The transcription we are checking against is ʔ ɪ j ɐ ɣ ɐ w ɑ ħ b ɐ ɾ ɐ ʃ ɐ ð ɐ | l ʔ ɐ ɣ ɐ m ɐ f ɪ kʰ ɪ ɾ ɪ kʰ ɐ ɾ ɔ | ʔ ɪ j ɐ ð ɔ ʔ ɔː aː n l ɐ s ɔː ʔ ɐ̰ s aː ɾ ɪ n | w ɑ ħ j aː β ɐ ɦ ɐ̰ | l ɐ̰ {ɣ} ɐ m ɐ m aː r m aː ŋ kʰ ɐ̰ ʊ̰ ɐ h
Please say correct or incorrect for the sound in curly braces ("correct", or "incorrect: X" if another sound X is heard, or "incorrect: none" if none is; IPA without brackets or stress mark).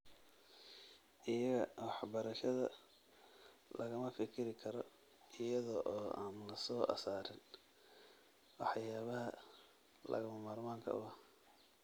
correct